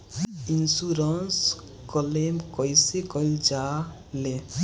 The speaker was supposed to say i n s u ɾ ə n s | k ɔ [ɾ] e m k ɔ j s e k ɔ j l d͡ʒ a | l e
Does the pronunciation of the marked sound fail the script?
yes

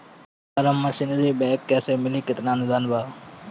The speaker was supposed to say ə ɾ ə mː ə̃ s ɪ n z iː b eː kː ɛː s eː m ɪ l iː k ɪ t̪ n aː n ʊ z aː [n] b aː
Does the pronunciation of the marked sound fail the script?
no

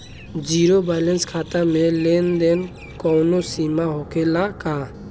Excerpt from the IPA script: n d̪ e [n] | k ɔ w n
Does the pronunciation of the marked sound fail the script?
no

